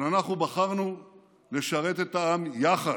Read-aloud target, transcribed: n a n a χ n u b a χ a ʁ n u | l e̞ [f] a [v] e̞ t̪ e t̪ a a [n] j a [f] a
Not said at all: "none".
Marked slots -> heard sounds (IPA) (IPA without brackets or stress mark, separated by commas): ʃ, ʁ, m, χ